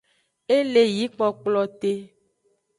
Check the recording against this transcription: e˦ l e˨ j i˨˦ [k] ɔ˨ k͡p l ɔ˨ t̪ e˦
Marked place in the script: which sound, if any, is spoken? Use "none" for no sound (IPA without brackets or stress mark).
k͡p